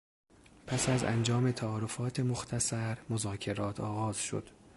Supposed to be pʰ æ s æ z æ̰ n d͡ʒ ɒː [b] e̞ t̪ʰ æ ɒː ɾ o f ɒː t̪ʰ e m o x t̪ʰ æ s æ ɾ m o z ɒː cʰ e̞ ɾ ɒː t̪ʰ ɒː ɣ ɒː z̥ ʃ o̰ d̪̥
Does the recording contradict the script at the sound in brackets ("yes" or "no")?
yes